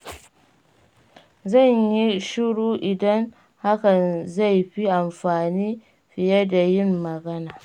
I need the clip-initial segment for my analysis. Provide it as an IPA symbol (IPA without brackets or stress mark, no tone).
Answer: z